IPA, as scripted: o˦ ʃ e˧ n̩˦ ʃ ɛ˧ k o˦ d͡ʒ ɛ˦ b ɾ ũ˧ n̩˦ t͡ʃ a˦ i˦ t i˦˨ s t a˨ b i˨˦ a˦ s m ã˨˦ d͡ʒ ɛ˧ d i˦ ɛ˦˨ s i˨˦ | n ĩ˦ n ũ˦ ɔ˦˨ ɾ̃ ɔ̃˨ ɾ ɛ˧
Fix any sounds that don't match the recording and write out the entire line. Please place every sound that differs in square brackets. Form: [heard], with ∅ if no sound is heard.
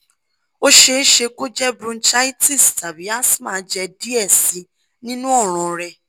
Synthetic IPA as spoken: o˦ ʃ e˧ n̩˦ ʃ [e˧] k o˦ d͡ʒ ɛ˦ b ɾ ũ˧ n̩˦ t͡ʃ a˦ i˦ t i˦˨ s t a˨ b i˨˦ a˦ s m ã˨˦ d͡ʒ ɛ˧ d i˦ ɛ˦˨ s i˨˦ | n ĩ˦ n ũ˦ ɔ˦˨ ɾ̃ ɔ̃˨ ɾ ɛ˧